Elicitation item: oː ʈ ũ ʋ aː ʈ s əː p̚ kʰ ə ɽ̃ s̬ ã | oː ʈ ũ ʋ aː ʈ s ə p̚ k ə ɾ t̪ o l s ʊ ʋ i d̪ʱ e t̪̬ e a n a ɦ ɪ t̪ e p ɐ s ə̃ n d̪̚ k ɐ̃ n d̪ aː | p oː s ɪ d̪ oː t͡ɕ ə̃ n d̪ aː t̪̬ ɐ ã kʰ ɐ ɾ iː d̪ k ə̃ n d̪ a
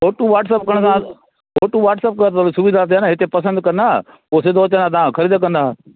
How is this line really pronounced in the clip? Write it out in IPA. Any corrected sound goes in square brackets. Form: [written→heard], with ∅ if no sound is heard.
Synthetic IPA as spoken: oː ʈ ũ ʋ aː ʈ s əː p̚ [kʰ→k] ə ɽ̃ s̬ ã | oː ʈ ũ ʋ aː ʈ s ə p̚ k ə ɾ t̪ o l s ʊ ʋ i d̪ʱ [e→a] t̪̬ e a n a ɦ ɪ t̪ e p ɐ s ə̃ n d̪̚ k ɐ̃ n d̪ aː | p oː s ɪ d̪ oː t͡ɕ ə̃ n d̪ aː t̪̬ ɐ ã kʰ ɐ ɾ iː d̪ k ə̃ n d̪ a